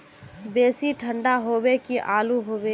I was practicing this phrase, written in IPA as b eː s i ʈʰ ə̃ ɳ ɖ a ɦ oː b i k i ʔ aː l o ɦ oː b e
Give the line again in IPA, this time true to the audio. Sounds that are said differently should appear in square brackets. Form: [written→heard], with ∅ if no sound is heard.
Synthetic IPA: b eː s i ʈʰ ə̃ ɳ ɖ a ɦ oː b [i→e] k i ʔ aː l [o→u] ɦ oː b e